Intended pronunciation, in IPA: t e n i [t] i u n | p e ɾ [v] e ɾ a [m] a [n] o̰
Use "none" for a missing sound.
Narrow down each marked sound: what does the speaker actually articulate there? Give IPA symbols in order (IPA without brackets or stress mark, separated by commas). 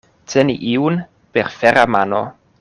ʔ, f, m, n